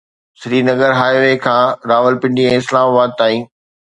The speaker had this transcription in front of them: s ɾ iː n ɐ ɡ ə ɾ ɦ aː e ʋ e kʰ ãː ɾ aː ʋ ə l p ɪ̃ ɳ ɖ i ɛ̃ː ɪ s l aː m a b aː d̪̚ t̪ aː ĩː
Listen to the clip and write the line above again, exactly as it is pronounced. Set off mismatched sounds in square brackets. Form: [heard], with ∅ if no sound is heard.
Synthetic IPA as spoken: s ɾ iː n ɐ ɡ ə ɾ ɦ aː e ʋ e kʰ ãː ɾ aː ʋ ə l p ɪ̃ ɳ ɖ i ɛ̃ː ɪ s l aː m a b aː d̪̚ t̪ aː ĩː